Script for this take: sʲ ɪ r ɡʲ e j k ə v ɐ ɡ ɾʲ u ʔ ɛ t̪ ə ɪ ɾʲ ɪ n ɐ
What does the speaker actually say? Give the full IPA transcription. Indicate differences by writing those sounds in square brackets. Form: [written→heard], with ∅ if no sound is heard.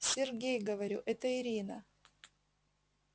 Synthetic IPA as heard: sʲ ɪ r ɡʲ e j [k→ɡ] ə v ɐ [ɡ→∅] ɾʲ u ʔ ɛ t̪ ə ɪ ɾʲ [ɪ→i] n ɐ